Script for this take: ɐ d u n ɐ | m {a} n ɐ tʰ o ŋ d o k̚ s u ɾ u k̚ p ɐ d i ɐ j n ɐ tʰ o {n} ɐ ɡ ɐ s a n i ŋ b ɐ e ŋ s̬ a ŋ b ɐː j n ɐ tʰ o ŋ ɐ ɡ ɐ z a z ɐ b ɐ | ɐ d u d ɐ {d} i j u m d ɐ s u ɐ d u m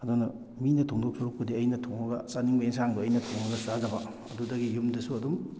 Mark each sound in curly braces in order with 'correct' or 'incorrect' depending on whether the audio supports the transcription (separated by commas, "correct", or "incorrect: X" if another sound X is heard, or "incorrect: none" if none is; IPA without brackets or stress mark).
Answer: incorrect: i, incorrect: ŋ, incorrect: ɡ